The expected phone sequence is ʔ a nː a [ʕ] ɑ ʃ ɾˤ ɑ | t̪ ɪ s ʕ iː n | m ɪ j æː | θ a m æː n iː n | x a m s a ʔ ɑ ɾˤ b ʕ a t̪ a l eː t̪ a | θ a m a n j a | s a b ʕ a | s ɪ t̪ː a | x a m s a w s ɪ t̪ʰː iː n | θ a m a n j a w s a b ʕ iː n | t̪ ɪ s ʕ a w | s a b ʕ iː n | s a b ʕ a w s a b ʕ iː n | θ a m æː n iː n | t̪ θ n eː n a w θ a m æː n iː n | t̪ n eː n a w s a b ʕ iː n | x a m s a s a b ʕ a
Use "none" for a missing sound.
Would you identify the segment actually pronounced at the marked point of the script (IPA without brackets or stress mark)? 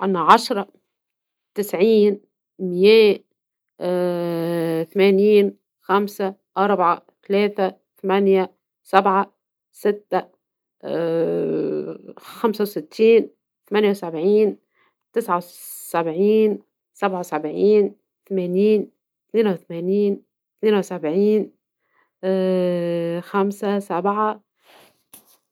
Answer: ʕ